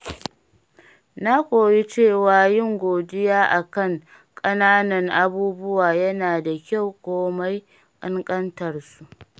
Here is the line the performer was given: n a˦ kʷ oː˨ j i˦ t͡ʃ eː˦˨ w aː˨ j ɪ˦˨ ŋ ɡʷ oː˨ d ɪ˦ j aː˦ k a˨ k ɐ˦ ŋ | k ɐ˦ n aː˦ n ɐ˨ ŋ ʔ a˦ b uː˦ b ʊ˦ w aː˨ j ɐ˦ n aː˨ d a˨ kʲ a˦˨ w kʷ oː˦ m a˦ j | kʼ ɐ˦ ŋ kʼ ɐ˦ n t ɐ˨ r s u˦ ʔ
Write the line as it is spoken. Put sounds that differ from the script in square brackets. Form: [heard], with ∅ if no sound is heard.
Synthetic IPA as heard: n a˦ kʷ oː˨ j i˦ t͡ʃ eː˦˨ w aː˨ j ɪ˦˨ ŋ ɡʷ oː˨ d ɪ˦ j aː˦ [ʔ] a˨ k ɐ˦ ŋ | [kʼ] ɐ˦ n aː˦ n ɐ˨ ŋ ʔ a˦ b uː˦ b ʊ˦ w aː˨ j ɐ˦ n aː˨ d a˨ kʲ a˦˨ w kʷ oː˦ m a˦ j | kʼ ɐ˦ ŋ kʼ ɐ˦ n t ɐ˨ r s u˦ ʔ